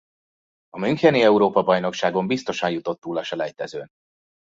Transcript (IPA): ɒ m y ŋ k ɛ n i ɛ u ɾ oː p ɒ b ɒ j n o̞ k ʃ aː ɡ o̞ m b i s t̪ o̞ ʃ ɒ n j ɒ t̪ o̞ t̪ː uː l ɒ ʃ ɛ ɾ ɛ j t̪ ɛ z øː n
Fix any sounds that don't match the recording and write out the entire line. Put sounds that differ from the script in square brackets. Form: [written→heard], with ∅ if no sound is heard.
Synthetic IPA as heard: ɒ m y ŋ k ɛ n i ɛ u ɾ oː p ɒ b ɒ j n o̞ k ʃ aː ɡ o̞ m b i s t̪ o̞ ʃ ɒ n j [ɒ→u] t̪ o̞ t̪ː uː l ɒ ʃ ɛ [ɾ→l] ɛ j t̪ ɛ z øː n